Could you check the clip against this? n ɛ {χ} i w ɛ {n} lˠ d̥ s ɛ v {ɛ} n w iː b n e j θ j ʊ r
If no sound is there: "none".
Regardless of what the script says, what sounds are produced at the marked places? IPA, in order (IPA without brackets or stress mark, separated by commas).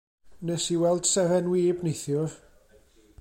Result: s, none, ɛ